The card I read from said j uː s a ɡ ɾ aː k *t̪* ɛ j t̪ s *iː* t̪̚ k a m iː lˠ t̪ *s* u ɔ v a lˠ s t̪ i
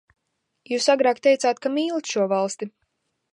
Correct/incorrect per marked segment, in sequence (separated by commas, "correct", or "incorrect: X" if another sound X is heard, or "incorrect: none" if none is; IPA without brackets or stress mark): correct, incorrect: aː, incorrect: ʃ